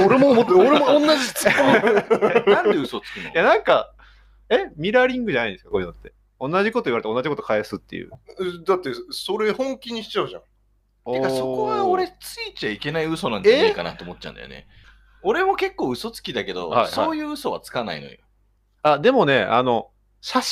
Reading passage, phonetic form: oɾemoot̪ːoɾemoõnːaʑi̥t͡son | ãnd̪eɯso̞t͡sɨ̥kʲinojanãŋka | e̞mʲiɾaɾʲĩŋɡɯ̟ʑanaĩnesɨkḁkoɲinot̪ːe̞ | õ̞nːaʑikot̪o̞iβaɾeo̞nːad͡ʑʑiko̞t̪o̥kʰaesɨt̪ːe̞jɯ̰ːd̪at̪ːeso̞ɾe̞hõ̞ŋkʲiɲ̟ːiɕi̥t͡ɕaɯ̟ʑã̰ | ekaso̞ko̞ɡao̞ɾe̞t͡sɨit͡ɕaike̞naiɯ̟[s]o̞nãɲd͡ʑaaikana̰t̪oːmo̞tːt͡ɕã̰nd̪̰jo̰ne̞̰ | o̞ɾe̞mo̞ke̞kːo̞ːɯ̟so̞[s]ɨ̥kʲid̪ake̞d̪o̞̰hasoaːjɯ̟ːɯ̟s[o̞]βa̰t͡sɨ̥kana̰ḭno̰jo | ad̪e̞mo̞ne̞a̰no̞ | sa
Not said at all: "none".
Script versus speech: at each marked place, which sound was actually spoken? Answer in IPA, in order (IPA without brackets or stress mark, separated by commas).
s, t͡s, o̞